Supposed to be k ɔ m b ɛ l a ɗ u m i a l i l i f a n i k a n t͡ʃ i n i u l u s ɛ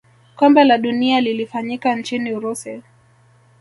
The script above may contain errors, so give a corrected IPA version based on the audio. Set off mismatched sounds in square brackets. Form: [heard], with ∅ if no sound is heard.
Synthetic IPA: k ɔ m b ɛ l a ɗ u [n] i a l i l i f a [ɲ] i k a n t͡ʃ i n i u [ɾ] u s ɛ